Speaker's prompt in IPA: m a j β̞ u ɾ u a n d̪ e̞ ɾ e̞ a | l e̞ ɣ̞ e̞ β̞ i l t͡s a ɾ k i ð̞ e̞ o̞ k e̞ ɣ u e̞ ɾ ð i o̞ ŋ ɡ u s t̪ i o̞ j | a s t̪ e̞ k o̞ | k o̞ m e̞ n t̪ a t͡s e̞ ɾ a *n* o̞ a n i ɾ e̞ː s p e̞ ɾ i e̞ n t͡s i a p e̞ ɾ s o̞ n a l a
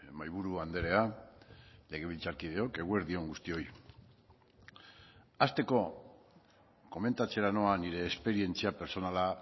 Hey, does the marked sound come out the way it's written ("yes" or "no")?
yes